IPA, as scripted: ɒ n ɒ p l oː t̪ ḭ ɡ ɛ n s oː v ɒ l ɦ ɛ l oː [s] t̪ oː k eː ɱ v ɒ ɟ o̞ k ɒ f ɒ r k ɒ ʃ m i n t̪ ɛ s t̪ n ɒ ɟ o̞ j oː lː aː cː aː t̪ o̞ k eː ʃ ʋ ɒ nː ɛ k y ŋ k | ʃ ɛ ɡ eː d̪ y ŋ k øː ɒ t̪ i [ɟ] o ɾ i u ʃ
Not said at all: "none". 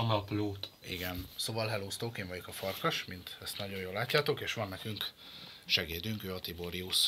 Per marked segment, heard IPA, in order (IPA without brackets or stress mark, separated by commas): s, b